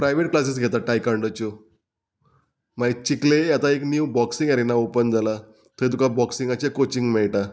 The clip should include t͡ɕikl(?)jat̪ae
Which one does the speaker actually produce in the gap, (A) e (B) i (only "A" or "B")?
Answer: A